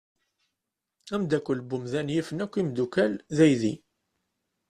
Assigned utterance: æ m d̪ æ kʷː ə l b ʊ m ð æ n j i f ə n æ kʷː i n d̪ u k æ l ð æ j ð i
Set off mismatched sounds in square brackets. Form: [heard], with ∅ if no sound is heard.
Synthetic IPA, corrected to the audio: æ m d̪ æ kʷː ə l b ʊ m ð æ n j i f ə n æ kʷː i [m] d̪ u k æ l ð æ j ð i